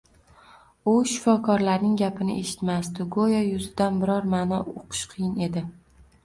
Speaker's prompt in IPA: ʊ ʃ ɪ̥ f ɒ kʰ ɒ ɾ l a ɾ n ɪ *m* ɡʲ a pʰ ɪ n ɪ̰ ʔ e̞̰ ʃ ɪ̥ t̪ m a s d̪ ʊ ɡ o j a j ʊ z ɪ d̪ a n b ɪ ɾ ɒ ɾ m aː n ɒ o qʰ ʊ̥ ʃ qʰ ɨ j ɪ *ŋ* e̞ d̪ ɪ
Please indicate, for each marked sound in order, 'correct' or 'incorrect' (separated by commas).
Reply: incorrect, incorrect